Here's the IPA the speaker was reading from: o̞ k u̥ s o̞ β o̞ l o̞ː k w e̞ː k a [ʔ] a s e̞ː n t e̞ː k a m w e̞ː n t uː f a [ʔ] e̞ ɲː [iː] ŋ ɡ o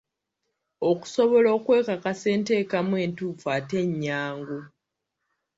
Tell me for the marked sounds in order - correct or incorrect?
incorrect, incorrect, incorrect

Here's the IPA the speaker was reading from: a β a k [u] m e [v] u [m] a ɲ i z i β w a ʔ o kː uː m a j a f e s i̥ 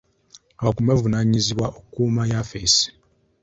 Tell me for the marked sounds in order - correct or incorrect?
correct, correct, incorrect

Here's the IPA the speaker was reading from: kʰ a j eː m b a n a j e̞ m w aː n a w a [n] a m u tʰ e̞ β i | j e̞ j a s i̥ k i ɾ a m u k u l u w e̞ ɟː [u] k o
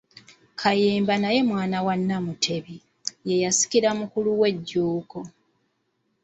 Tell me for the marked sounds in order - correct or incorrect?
incorrect, incorrect

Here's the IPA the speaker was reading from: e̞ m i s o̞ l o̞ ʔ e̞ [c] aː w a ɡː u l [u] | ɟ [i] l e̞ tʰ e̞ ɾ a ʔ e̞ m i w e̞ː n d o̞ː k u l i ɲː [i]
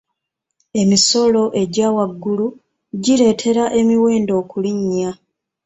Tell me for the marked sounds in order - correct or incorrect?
incorrect, correct, correct, incorrect

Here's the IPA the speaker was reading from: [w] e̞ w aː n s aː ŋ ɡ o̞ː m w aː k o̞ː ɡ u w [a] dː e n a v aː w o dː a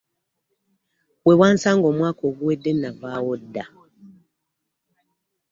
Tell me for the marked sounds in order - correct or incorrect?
correct, incorrect

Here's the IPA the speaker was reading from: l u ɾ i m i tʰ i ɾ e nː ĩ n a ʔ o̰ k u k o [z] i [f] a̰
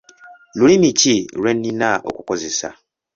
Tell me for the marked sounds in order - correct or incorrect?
correct, incorrect

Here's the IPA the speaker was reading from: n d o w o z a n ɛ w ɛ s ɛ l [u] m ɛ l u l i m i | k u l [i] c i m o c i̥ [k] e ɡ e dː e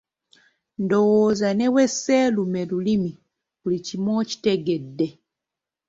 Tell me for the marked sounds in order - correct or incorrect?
correct, correct, incorrect

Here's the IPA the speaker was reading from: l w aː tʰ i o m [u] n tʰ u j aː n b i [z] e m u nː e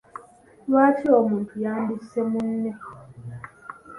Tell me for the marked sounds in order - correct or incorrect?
incorrect, incorrect

